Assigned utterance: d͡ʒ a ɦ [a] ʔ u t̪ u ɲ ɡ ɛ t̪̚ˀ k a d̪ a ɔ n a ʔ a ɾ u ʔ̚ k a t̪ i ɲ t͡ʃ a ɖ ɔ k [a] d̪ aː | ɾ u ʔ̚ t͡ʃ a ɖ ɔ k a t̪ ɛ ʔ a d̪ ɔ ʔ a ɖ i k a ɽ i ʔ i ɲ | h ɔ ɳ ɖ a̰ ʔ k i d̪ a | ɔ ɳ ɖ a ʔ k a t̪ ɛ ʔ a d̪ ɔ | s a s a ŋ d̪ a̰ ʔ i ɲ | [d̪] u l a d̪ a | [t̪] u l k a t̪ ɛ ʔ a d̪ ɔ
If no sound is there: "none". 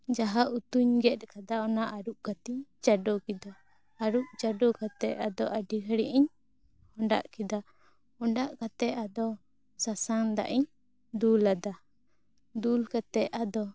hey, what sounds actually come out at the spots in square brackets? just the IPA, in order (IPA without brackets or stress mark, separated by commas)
a, i, d̪, d̪